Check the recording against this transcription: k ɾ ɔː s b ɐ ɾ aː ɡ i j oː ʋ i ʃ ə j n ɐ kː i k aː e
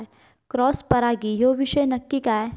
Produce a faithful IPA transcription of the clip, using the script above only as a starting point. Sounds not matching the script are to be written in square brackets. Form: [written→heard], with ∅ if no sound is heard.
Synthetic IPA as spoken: k ɾ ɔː s [b→p] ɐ ɾ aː ɡ i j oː ʋ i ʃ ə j n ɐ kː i k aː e

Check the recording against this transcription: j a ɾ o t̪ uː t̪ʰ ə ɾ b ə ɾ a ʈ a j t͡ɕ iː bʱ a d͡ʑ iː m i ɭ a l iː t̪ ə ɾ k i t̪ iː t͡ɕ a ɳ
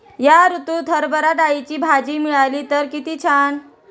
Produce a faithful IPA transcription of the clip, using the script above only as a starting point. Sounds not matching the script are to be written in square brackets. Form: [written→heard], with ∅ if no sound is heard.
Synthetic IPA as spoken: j a ɾ [o→u] t̪ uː t̪ʰ ə ɾ b ə ɾ a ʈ a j t͡ɕ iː bʱ a d͡ʑ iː m i ɭ a l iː t̪ ə ɾ k i t̪ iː [t͡ɕ→t͡ɕʰ] a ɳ

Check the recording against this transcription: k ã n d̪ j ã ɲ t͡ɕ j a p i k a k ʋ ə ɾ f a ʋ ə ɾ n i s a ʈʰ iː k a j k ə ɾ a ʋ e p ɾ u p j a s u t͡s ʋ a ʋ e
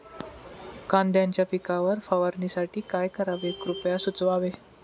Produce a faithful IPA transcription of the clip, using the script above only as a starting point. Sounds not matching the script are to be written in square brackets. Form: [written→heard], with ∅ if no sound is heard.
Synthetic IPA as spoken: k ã n d̪ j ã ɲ t͡ɕ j a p i k a [k→∅] ʋ ə ɾ f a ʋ ə ɾ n i s a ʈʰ iː k a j k ə ɾ a ʋ e [p→k] ɾ u p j a s u t͡s ʋ a ʋ e

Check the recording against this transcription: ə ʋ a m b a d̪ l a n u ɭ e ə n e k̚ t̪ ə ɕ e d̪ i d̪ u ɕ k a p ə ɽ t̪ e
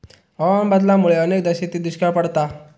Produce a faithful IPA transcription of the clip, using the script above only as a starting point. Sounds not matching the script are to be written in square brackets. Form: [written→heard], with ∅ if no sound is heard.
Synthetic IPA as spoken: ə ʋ a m b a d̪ l a [n→m] u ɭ e ə n e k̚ [t̪→d̪] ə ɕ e [d̪→t̪] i d̪ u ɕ k a p ə ɽ t̪ [e→a]

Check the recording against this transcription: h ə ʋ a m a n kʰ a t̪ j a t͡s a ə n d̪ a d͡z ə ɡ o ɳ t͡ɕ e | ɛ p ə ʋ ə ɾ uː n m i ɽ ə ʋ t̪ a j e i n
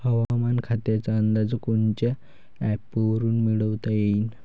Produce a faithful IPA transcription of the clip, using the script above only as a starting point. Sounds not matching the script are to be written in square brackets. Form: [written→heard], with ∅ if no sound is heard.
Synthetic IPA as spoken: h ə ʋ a m a n kʰ a t̪ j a t͡s a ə n d̪ a d͡z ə [ɡ→k] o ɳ t͡ɕ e | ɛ p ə ʋ ə ɾ uː n m i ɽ ə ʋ t̪ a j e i n

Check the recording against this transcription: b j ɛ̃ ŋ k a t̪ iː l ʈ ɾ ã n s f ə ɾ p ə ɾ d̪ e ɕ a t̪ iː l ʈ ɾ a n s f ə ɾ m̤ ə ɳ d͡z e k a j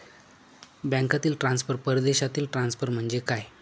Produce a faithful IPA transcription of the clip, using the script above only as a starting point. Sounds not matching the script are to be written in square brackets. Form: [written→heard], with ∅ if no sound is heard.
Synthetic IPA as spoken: b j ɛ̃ ŋ k a t̪ iː l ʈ ɾ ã n s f ə ɾ p ə ɾ d̪ e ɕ a t̪ iː l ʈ ɾ a n s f ə ɾ m̤ ə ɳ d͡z e k a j

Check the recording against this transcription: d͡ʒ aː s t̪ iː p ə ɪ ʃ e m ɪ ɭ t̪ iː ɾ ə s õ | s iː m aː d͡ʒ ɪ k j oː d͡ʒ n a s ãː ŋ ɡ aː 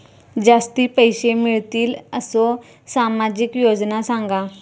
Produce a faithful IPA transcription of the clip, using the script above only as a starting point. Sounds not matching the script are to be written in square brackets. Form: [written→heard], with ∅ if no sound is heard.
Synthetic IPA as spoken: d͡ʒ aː s t̪ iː p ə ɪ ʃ e m ɪ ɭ t̪ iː [ɾ→l] ə s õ | s [iː→aː] m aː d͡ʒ ɪ k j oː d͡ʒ n a s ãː ŋ ɡ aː

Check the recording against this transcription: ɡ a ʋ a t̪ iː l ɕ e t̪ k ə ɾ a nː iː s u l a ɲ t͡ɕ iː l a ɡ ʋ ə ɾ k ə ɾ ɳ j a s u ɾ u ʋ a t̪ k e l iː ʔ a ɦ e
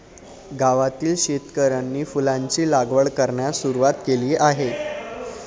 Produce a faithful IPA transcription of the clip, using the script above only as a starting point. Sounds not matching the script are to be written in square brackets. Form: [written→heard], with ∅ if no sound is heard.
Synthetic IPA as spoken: ɡ a ʋ a t̪ iː l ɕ e t̪ k ə ɾ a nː iː [s→f] u l a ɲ t͡ɕ iː l a ɡ ʋ ə [ɾ→ɭ] k ə ɾ ɳ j a s u ɾ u ʋ a t̪ k e l iː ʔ a ɦ e

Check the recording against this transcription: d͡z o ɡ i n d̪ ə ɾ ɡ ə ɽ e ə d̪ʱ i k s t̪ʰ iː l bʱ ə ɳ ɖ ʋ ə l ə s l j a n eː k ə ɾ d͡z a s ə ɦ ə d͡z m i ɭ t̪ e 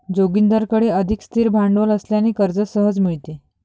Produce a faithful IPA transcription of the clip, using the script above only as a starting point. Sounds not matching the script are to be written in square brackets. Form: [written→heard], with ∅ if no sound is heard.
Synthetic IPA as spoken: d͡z o ɡ i n d̪ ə ɾ [ɡ→k] ə ɽ e ə d̪ʱ i k s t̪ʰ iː [l→ɾ] bʱ [ə→a] ɳ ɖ ʋ ə l ə s l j a n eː k ə ɾ d͡z [a→ə] s ə ɦ ə d͡z m i ɭ t̪ e

